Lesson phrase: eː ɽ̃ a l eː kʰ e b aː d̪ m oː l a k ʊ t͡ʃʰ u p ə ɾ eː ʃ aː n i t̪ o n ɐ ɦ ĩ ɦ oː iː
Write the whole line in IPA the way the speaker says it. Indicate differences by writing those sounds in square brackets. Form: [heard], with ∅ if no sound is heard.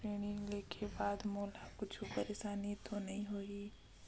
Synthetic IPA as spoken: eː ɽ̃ [i] l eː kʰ e b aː d̪ m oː l a k ʊ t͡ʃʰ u p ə ɾ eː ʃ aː n i t̪ o n ɐ ɦ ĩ ɦ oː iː